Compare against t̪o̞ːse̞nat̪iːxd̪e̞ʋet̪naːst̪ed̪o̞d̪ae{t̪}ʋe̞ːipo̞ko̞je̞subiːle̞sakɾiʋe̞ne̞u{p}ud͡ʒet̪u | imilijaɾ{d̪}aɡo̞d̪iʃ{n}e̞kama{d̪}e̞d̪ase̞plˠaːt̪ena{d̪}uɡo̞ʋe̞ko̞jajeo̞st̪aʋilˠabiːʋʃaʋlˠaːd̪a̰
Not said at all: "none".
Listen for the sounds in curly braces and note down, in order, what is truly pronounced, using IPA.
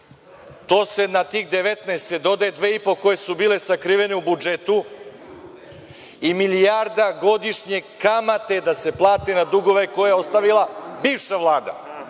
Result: d̪, b, d̪, ɲ, t̪, d̪

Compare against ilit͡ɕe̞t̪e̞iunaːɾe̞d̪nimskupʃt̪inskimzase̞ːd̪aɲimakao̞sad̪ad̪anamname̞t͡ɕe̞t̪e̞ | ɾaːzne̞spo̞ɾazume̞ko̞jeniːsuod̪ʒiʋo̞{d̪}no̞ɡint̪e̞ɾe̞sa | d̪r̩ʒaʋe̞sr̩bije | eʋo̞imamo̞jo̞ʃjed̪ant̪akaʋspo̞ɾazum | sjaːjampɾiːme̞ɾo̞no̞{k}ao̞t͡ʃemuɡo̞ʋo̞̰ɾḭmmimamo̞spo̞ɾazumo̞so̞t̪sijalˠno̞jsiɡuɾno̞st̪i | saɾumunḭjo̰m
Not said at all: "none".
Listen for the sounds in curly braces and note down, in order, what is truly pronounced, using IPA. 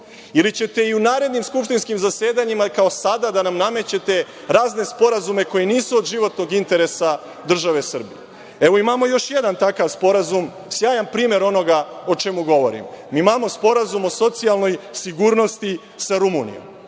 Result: t̪, ɡ

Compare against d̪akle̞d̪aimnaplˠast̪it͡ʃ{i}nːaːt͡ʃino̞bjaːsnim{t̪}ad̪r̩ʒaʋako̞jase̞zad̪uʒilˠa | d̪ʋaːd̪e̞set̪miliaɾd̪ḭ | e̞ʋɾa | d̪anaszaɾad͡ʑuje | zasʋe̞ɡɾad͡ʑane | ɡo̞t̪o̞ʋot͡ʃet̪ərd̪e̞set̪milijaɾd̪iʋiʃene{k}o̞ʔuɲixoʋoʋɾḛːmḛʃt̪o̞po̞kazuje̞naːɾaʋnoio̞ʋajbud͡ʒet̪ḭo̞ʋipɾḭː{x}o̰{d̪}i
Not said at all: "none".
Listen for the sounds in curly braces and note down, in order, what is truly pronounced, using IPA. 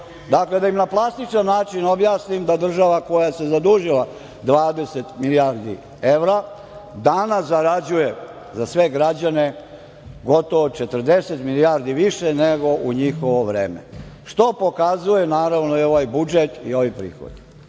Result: a, d̪, ɡ, x, d̪

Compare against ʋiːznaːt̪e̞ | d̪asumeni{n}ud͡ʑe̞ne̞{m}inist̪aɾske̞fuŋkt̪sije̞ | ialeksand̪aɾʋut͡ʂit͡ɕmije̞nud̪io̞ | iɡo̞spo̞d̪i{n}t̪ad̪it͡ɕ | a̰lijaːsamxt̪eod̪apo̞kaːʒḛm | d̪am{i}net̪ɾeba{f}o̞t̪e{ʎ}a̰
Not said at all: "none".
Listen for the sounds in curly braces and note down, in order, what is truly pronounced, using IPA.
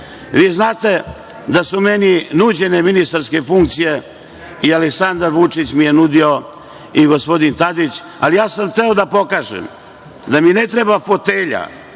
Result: n, m, n, i, f, ʎ

